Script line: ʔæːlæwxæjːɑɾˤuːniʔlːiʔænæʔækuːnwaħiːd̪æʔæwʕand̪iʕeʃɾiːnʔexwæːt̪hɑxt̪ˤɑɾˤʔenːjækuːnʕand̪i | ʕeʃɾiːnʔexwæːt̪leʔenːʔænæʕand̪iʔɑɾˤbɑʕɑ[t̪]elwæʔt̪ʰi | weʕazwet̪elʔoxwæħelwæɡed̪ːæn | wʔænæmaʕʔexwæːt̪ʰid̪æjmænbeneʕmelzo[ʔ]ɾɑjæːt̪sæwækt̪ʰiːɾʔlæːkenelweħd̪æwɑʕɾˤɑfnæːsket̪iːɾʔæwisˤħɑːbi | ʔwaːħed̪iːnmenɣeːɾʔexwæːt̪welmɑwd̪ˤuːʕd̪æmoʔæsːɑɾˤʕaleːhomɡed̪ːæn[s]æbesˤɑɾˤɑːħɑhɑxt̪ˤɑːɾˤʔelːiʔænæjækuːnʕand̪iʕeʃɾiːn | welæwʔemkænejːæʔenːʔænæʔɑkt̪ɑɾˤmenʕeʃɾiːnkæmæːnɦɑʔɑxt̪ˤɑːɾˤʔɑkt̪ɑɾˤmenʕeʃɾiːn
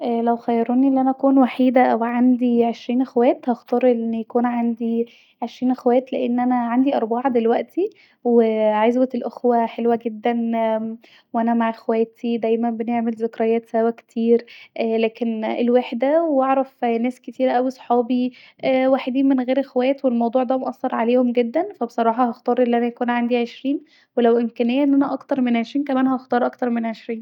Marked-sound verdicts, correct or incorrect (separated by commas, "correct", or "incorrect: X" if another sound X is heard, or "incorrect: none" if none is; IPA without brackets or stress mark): incorrect: d̪, incorrect: k, incorrect: f